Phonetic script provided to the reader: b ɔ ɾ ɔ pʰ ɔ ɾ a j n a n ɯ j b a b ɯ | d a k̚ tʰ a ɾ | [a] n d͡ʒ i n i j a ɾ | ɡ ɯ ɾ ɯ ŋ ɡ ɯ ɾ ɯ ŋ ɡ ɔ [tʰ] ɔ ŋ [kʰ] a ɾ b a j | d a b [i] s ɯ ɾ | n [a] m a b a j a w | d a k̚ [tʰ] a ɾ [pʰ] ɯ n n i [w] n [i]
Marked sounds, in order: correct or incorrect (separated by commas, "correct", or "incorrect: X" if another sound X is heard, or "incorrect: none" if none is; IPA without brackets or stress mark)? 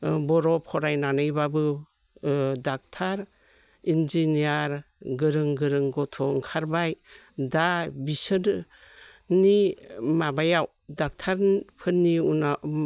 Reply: incorrect: i, correct, correct, correct, incorrect: i, correct, correct, incorrect: u, incorrect: a